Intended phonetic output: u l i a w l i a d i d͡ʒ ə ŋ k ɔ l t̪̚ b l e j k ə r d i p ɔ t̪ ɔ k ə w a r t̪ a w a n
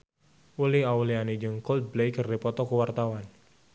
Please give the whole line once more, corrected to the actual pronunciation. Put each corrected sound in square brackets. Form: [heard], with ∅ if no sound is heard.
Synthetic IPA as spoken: u l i a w l i a [n] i d͡ʒ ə ŋ k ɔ l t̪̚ b l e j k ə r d i p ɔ t̪ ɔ k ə w a r t̪ a w a n